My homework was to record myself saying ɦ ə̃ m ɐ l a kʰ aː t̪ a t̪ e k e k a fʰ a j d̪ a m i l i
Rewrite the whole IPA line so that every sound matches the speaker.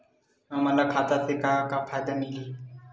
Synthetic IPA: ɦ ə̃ m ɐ l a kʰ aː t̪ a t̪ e k a k a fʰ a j d̪ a m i l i